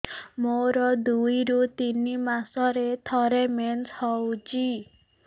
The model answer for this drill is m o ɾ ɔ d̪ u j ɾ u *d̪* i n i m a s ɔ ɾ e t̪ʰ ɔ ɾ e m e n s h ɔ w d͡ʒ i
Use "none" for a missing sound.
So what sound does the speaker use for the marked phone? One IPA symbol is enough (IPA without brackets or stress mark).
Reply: t̪